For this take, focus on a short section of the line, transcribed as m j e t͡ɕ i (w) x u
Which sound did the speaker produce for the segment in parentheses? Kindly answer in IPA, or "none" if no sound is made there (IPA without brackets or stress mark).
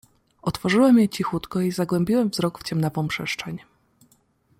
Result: none